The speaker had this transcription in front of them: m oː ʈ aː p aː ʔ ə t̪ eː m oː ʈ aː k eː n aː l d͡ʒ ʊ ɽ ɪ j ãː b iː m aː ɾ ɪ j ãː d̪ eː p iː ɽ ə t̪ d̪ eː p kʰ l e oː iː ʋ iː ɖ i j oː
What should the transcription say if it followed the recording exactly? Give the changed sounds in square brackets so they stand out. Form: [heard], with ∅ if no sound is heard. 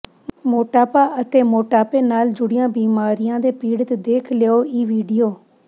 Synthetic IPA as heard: m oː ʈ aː p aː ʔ ə t̪ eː m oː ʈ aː [p] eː n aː l d͡ʒ ʊ ɽ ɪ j ãː b iː m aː ɾ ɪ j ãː d̪ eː p iː ɽ ə t̪ d̪ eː [∅] kʰ l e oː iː ʋ iː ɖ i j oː